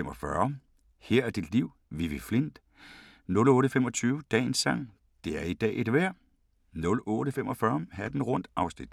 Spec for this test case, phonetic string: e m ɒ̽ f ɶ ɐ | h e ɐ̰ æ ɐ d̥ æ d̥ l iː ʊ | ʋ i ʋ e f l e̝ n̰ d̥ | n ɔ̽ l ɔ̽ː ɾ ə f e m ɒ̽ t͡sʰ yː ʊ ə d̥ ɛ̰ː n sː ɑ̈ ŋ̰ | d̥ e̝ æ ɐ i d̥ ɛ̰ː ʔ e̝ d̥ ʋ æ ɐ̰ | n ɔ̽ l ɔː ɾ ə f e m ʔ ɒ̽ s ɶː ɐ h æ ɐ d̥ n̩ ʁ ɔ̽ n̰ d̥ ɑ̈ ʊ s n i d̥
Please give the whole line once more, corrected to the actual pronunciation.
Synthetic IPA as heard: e m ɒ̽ f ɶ ɐ | h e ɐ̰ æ ɐ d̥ i d̥ l i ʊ | ʋ i ʋ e f l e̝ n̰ d̥ | n ɔ̽ l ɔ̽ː ɾ ə f e m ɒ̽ t͡sʰ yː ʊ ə d̥ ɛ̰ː n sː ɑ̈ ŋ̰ | d̥ e̝ æ ɐ i d̥ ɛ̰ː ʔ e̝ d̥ ʋ æ ɐ̰ | n ɔ̽ l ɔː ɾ ə f e m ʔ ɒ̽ f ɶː ɐ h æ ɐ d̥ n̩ ʁ ɔ̽ n̰ d̥ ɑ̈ ʊ s n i d̥